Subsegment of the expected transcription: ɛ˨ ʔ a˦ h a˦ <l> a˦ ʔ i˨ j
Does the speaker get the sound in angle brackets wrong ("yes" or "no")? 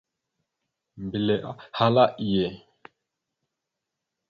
no